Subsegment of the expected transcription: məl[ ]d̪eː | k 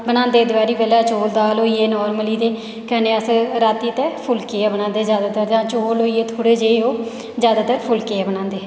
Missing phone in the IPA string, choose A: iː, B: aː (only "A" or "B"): A